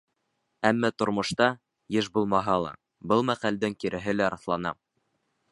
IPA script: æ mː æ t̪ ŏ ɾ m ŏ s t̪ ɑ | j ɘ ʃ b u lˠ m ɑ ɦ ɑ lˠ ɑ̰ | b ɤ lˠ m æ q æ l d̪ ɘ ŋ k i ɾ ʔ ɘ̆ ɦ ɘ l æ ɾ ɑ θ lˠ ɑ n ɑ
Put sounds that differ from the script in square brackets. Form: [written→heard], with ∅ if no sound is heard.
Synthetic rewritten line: æ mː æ t̪ ŏ ɾ m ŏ [s→ʃ] t̪ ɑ | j ɘ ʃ b u lˠ m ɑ ɦ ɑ lˠ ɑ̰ | b ɤ lˠ m æ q æ l d̪ ɘ ŋ k i ɾ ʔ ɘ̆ ɦ ɘ l æ ɾ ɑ θ lˠ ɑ n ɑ

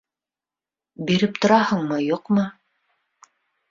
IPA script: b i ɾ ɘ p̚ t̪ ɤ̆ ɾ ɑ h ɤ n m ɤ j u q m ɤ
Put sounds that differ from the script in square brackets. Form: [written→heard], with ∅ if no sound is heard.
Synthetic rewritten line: b i ɾ ɘ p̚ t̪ [ɤ̆→ŏ] ɾ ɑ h ɤ [n→ɴ] m ɤ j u q m ɤ

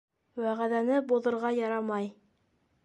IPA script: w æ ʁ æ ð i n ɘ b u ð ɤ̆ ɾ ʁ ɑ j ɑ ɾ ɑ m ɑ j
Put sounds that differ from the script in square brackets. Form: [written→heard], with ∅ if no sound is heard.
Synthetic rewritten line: w æ ʁ æ ð [i→æ] n ɘ b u ð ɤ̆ ɾ ʁ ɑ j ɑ ɾ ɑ m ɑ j

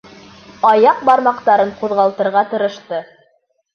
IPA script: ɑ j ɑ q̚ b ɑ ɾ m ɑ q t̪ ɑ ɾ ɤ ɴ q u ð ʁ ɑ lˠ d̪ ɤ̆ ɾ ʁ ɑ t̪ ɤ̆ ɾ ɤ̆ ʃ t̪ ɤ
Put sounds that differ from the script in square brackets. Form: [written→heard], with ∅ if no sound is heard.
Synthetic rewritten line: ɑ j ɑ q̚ b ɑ ɾ m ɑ q t̪ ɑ ɾ ɤ ɴ q u ð ʁ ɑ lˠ [d̪→t̪] ɤ̆ ɾ ʁ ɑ t̪ ɤ̆ ɾ ɤ̆ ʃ t̪ ɤ

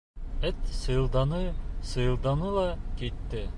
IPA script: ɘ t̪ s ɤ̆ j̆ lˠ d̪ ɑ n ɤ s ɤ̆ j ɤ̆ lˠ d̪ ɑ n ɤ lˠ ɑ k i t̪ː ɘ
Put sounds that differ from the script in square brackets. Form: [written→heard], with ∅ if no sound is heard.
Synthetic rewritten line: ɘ t̪ s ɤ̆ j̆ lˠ d̪ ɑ n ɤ s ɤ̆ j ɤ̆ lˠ d̪ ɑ n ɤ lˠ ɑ k i t̪ː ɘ

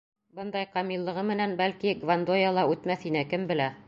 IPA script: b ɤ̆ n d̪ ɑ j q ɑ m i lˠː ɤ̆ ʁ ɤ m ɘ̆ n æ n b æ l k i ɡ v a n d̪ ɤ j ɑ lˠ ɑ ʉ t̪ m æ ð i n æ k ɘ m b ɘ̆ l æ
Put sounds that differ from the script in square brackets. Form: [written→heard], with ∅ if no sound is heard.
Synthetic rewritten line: b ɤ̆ n d̪ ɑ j q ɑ m i lˠː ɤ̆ ʁ ɤ m ɘ̆ n æ n b æ l k i ɡ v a n d̪ [ɤ→o] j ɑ lˠ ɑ ʉ t̪ m æ [ð→θ] i n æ k ɘ m b ɘ̆ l æ

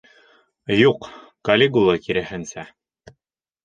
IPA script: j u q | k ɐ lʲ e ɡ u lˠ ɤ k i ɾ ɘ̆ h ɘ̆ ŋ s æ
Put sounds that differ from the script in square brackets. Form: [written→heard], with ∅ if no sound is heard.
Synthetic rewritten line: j u q | k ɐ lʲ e ɡ u lˠ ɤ k i ɾ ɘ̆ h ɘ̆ [ŋ→n] s æ

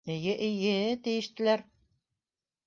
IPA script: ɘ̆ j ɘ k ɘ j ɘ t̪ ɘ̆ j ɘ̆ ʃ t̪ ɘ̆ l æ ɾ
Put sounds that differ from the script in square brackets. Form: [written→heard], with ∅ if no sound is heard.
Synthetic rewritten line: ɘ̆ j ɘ [k→ʔ] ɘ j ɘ t̪ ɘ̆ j ɘ̆ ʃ t̪ ɘ̆ l æ ɾ

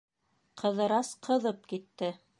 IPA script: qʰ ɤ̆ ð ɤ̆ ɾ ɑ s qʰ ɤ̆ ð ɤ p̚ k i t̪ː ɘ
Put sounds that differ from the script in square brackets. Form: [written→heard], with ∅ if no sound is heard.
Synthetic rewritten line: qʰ ɤ̆ ð ɤ̆ ɾ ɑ s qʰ ɤ̆ ð ɤ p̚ k i t̪ː ɘ

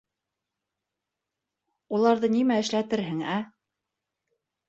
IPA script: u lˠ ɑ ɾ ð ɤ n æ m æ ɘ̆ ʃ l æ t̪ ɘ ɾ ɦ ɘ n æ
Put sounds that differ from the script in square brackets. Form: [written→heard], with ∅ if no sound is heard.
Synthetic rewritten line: u lˠ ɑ ɾ ð ɤ n [æ→i] m æ ɘ̆ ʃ l æ t̪ ɘ ɾ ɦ ɘ [n→ŋ] æ

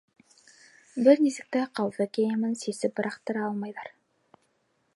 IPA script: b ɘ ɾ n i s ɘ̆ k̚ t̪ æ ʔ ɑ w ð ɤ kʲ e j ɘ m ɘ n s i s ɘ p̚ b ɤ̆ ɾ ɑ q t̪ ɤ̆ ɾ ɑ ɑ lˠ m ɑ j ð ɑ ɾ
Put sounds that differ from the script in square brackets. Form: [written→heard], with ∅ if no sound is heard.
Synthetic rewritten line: b ɘ ɾ n i s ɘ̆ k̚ t̪ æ [ʔ→q] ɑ w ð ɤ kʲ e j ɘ m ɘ n s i s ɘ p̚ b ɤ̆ ɾ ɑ q t̪ ɤ̆ ɾ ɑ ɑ lˠ m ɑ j ð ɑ ɾ

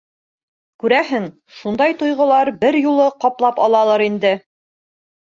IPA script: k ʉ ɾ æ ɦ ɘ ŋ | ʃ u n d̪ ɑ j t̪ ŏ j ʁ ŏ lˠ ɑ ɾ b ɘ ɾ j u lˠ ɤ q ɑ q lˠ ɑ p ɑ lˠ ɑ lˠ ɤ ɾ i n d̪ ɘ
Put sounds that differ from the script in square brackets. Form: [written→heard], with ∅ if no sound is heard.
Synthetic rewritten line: k ʉ ɾ æ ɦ ɘ ŋ | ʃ u n d̪ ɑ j t̪ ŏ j ʁ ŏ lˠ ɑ ɾ b ɘ ɾ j u lˠ ɤ q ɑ [q→p] lˠ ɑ p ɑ lˠ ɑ lˠ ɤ ɾ i n d̪ ɘ

